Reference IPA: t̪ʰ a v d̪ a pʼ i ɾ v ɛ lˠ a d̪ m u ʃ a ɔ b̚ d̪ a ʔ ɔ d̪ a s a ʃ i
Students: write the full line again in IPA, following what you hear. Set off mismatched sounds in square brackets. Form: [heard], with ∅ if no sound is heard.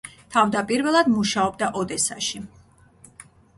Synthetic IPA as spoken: t̪ʰ a v d̪ a pʼ i ɾ v ɛ lˠ a d̪ m u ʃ a ɔ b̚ d̪ a ʔ ɔ d̪ [ɛ] s a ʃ i